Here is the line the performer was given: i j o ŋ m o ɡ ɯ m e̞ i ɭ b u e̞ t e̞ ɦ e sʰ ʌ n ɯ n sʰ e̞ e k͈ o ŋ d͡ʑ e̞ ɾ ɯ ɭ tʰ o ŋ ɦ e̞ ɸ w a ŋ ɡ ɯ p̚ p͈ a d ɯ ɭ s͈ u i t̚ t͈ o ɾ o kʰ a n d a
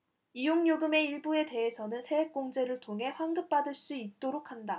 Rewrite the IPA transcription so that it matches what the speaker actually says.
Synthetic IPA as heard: i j o ŋ ɲ o ɡ ɯ m e̞ i ɭ b u e̞ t e̞ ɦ e sʰ ʌ n ɯ n sʰ e̞ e k͈ o ŋ d͡ʑ e̞ ɾ ɯ ɭ tʰ o ŋ ɦ e̞ ɸ w a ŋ ɡ ɯ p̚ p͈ a d ɯ ɭ s͈ u i t̚ t͈ o ɾ o kʰ a n d a